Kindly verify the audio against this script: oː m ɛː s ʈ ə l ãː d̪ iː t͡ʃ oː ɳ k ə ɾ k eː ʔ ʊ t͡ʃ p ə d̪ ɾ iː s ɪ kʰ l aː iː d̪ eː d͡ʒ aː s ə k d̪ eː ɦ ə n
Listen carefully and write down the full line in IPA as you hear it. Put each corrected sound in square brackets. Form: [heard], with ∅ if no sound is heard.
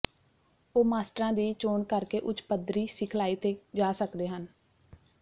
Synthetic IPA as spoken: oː m [aː] s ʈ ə [ɾ] ãː d̪ iː t͡ʃ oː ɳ k ə ɾ k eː ʔ ʊ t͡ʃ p ə d̪ ɾ iː s ɪ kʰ l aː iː [t̪] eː d͡ʒ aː s ə k d̪ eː ɦ ə n